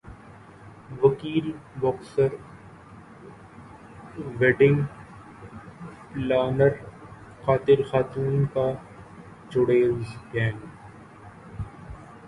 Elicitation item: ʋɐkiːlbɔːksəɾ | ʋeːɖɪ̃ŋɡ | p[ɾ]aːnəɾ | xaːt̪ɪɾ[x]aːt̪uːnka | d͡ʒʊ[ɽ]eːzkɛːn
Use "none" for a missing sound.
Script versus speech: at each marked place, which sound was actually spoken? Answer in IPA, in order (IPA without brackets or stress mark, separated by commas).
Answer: l, x, ɽ